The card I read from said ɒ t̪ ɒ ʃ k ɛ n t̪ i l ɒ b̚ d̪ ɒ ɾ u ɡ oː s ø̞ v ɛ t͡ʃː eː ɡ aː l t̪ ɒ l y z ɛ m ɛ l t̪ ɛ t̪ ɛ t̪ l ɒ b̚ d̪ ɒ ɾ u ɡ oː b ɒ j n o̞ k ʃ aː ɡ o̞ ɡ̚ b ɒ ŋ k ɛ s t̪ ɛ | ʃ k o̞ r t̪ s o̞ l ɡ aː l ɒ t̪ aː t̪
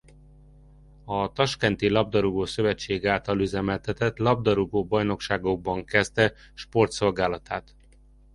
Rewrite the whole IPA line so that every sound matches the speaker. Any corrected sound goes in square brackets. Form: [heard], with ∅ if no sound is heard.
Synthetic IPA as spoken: ɒ t̪ ɒ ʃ k ɛ n t̪ i l ɒ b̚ d̪ ɒ ɾ u ɡ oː s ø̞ v ɛ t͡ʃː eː ɡ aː l t̪ ɒ l y z ɛ m ɛ l t̪ ɛ t̪ ɛ t̪ l ɒ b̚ d̪ ɒ ɾ u ɡ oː b ɒ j n o̞ k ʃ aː ɡ o̞ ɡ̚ b ɒ ŋ k ɛ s t̪ ɛ | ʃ [p] o̞ r t̪ s o̞ l ɡ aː l ɒ t̪ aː t̪